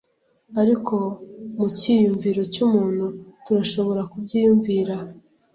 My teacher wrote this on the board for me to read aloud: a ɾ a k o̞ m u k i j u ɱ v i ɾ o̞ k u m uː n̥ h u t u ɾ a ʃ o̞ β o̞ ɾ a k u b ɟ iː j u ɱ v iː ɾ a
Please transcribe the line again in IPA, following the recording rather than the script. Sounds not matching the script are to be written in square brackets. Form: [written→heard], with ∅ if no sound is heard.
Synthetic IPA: a ɾ [a→i] k o̞ m u [k→c] i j u ɱ v i ɾ o̞ [k→c] u m uː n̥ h u t u ɾ a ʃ o̞ β o̞ ɾ a k u b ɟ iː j u ɱ v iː ɾ a